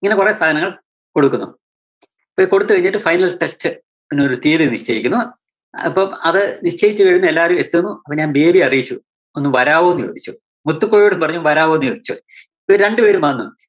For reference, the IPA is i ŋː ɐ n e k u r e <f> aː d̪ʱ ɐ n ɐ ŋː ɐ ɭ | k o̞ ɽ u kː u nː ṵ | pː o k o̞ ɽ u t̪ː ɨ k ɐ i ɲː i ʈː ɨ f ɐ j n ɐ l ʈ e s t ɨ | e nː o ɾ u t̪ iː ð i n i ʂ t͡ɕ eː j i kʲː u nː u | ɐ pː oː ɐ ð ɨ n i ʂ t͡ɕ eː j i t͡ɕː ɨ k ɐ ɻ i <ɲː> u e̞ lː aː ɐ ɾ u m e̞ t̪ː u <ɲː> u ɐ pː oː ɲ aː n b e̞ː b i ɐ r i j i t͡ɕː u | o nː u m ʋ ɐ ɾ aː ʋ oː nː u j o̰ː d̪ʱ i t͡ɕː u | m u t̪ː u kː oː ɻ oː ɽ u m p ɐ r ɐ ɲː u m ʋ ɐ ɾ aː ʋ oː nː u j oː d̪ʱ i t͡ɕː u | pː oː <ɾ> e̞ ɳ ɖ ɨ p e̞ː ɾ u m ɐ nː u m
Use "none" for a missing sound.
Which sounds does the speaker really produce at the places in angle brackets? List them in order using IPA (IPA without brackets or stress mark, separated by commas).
s, nː, nː, ɾ